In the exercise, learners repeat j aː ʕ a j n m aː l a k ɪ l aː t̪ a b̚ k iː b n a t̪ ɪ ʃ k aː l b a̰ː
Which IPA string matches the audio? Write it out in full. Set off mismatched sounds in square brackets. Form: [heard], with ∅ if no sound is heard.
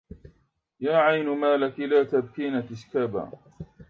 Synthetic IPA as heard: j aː ʕ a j n m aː l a k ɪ l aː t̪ a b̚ k iː [∅] n a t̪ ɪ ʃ k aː [∅] b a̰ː